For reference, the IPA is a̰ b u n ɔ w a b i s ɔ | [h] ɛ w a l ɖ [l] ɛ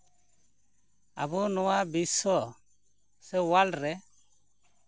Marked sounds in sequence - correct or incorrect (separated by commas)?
incorrect, incorrect